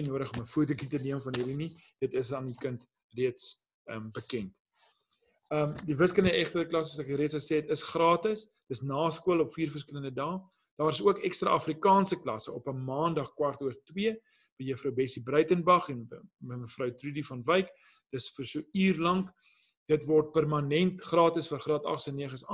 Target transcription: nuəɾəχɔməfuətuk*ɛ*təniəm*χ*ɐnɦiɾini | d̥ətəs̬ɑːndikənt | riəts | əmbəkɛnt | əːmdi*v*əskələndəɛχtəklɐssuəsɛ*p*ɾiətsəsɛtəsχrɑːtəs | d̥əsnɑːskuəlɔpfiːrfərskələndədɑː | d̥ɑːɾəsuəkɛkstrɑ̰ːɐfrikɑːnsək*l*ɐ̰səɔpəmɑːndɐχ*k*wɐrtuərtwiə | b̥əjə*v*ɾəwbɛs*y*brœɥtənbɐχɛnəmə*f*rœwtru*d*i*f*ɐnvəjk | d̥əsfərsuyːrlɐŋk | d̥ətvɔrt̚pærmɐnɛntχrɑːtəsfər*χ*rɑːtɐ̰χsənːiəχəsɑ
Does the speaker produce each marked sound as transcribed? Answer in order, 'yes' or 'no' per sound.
no, no, yes, no, yes, yes, no, no, yes, yes, yes, yes

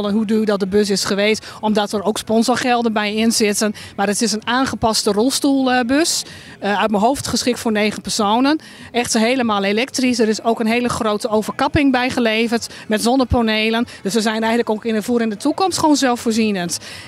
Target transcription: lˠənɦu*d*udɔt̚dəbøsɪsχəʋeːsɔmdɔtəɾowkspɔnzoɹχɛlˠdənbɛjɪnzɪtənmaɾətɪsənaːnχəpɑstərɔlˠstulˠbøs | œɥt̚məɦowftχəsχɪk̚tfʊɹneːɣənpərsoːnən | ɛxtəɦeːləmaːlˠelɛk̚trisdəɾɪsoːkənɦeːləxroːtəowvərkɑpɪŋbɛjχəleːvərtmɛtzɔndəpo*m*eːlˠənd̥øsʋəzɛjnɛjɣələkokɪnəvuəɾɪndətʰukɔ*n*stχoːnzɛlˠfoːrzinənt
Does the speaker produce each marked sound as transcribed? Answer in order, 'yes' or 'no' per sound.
yes, no, no

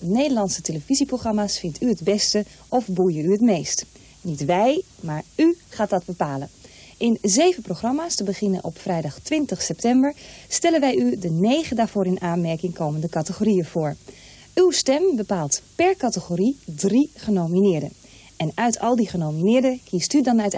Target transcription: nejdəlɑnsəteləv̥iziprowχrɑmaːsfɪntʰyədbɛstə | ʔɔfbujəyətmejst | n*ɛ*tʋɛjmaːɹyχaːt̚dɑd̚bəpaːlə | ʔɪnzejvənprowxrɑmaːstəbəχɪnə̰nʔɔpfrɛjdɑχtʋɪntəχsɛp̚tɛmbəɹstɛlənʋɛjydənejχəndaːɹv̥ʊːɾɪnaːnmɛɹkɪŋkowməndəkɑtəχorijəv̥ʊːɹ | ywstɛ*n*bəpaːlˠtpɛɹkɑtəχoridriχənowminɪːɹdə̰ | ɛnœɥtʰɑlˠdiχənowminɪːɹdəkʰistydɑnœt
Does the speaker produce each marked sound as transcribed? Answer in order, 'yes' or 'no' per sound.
no, no

